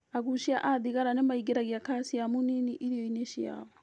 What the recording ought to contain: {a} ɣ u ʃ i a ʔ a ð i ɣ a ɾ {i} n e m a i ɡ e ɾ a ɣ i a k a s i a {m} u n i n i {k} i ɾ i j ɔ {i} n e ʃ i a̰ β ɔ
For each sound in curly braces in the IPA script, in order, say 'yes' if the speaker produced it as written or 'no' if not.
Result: yes, no, yes, no, yes

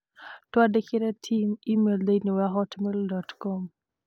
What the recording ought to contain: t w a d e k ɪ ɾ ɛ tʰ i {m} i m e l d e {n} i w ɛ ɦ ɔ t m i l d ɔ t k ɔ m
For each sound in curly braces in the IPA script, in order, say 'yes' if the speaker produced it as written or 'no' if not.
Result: yes, yes

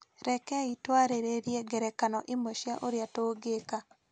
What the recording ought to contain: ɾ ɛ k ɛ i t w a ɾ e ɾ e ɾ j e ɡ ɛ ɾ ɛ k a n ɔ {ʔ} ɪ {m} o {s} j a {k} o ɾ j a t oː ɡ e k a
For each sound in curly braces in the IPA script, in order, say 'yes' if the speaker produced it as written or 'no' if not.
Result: yes, yes, no, no

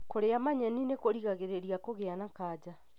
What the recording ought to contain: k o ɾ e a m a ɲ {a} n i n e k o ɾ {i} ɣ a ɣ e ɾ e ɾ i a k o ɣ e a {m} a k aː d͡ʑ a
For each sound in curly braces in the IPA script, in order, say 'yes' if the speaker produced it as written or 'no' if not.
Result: no, yes, no

